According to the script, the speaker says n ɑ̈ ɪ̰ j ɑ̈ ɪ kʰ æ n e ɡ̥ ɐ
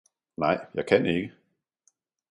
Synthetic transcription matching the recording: n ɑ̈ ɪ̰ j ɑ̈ ɪ kʰ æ n e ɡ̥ ə